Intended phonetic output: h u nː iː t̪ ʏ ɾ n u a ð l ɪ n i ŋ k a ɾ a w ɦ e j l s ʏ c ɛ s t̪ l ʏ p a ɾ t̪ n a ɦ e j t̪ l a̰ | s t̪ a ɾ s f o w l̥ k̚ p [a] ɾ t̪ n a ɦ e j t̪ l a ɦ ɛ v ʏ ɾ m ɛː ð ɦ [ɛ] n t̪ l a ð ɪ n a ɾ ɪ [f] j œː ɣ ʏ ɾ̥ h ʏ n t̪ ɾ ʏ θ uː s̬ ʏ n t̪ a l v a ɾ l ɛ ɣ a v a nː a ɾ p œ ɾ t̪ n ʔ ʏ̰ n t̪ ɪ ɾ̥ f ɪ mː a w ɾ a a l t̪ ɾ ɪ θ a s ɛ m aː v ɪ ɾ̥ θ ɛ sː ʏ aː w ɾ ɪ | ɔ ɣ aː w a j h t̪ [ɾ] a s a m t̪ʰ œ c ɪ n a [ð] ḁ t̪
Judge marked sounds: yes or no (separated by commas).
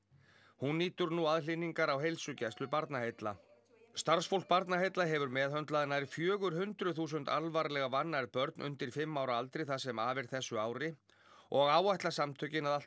yes, no, yes, no, yes